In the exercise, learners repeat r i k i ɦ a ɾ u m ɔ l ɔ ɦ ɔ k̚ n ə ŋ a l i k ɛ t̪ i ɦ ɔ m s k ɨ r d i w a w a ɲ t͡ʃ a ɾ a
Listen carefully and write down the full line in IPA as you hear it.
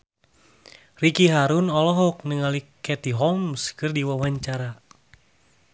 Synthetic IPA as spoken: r i k i ɦ a ɾ u n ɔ l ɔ ɦ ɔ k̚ n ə ŋ a l i k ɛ t̪ i ɦ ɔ m s k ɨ r d i w a w a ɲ t͡ʃ a ɾ a